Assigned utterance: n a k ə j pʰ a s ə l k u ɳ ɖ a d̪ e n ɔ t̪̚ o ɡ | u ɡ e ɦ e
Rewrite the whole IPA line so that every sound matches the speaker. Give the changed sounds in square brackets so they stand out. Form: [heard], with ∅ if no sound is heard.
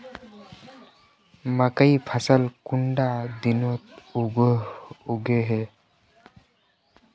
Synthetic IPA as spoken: [m] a k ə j pʰ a s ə l k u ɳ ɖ a d̪ [i] n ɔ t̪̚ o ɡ | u ɡ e ɦ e